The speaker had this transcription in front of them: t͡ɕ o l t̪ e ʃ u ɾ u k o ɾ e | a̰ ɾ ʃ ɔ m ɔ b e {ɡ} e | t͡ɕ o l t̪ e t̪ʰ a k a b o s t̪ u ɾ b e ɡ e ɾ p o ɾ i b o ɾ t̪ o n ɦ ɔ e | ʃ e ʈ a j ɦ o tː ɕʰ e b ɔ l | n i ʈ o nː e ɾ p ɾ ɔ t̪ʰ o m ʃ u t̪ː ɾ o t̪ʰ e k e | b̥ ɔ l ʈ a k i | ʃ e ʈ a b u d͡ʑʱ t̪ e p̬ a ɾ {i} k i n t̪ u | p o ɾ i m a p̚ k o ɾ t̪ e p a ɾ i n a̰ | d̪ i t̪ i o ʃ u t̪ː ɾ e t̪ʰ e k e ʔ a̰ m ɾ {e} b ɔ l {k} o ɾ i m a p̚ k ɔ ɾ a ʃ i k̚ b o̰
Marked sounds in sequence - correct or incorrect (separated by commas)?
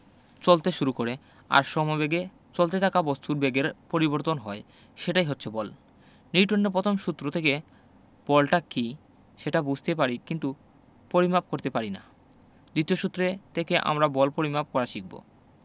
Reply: correct, correct, incorrect, incorrect